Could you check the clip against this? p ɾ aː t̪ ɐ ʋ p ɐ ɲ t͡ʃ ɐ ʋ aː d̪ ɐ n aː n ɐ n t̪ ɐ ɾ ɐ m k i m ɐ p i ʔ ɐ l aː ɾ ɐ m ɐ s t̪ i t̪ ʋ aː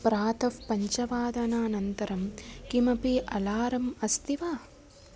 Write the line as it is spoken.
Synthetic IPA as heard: p ɾ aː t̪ ɐ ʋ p ɐ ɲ t͡ʃ ɐ ʋ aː d̪ ɐ n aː n ɐ n t̪ ɐ ɾ ɐ m k i m ɐ p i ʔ ɐ l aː ɾ ɐ m ɐ s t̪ i ʋ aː